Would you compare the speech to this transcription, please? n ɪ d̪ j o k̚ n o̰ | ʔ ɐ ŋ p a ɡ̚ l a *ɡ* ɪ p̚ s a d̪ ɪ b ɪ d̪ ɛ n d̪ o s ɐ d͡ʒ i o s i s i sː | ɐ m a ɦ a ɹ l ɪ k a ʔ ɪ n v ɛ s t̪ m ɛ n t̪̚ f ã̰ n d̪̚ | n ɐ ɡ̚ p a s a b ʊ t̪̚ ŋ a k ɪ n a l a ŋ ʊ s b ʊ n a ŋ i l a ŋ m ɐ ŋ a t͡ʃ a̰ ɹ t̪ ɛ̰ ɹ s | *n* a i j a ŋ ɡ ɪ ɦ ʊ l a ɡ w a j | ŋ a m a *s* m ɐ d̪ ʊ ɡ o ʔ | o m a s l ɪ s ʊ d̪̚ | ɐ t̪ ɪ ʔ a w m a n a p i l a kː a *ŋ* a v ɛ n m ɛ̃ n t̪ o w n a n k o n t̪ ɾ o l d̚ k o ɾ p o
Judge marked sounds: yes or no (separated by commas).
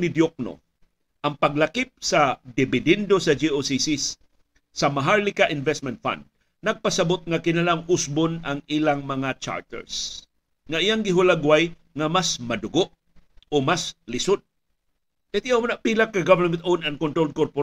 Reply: no, no, yes, no